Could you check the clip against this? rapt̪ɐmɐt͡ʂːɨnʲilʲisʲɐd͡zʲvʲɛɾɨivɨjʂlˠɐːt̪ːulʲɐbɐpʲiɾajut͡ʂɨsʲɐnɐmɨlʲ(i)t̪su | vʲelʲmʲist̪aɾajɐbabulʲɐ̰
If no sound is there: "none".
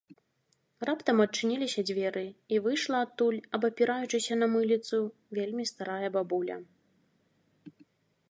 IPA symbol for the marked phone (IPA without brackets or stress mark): i